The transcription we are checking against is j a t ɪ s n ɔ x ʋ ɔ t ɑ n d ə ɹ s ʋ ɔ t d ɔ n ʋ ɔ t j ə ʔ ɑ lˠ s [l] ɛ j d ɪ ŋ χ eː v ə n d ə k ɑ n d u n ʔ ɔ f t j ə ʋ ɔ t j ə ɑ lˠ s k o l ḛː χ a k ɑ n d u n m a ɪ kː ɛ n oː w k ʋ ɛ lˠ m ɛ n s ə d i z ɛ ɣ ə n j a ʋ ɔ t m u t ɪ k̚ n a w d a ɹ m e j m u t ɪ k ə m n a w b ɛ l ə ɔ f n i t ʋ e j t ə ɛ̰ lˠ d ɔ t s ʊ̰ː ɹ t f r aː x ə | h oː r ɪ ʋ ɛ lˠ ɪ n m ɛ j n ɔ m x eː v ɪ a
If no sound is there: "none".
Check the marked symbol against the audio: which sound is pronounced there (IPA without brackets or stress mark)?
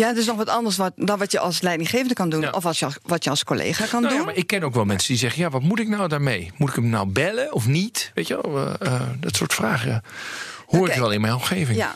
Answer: l